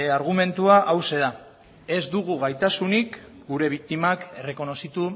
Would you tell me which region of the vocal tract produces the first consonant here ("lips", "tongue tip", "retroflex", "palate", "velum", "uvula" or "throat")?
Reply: tongue tip